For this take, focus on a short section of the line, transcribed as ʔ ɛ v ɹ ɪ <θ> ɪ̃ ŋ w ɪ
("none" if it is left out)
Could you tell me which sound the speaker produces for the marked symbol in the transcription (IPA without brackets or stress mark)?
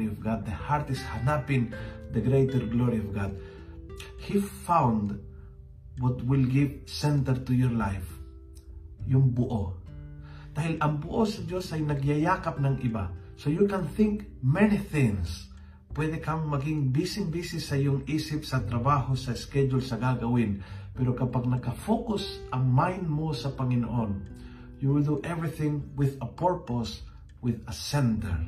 θ